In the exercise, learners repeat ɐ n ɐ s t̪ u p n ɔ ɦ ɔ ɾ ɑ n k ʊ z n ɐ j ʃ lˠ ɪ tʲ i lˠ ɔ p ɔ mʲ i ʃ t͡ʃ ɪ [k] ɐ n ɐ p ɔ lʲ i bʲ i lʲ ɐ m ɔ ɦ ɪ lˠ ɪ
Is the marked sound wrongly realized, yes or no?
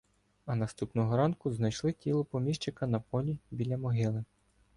no